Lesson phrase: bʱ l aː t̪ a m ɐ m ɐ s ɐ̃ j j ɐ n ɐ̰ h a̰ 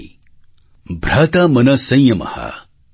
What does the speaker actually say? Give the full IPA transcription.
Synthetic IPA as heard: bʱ ɾ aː t̪ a m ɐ n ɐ s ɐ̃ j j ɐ m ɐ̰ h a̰